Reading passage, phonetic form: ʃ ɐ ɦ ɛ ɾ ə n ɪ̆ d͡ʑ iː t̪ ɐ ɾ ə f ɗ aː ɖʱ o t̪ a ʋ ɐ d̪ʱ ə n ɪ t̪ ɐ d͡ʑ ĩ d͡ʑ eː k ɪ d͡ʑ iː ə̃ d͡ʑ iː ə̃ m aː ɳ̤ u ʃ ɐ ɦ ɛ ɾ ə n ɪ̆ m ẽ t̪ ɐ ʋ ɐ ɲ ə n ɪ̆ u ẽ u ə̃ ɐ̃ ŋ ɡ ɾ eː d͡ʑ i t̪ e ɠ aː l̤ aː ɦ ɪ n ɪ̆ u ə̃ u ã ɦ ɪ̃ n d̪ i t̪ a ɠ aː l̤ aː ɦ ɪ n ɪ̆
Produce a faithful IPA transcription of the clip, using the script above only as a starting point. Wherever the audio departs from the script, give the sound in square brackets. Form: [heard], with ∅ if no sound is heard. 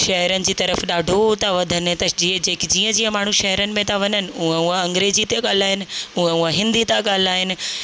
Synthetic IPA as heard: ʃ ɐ ɦ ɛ ɾ ə n ɪ̆ d͡ʑ iː t̪ ɐ ɾ ə f ɗ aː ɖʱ o t̪ a ʋ ɐ d̪ʱ ə n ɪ t̪ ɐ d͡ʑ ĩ d͡ʑ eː k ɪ d͡ʑ iː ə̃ d͡ʑ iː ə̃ m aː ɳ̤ u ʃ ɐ ɦ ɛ ɾ ə n ɪ̆ m ẽ t̪ [a] ʋ ɐ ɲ ə n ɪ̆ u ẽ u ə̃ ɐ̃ ŋ ɡ ɾ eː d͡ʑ i t̪ e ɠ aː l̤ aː ɦ ɪ n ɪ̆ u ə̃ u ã ɦ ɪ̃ n d̪ i t̪ a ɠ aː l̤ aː ɦ ɪ n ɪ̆